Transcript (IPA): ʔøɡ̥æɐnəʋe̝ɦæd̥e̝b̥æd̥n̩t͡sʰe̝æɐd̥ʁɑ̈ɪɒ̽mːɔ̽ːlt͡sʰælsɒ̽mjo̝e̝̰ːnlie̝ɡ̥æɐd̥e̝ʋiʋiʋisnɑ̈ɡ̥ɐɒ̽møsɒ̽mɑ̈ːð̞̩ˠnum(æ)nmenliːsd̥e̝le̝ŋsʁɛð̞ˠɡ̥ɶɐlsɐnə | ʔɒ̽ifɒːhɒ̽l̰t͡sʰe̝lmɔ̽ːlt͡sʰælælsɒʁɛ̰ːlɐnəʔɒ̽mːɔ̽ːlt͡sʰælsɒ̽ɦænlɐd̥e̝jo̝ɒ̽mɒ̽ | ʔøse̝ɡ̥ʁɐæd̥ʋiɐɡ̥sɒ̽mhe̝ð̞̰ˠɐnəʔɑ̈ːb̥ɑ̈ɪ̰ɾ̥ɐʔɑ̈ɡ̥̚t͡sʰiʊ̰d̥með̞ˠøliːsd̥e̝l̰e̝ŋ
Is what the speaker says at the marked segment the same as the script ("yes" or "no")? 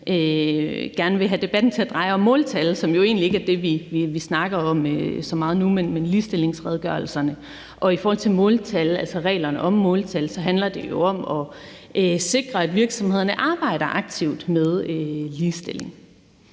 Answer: no